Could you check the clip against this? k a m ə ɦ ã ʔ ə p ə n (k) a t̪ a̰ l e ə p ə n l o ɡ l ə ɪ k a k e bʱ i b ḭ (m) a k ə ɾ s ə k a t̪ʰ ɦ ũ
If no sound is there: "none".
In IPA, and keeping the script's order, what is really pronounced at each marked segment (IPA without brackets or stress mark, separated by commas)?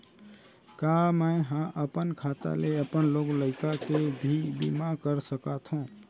kʰ, m